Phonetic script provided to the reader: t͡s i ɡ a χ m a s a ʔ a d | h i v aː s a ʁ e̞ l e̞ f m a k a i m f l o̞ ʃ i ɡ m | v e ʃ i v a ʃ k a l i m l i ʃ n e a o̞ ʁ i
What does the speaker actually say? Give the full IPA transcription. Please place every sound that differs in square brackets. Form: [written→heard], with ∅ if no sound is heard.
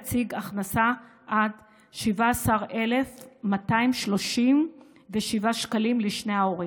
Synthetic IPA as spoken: t͡s i ɡ a χ [m→n] a s a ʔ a d | [h→ʃ] i v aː s a ʁ e̞ l e̞ f m a [k→t] a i m [f→ʃ] l o̞ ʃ i [ɡ→∅] m | v e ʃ i v a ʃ k a l i m l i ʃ n e a o̞ ʁ i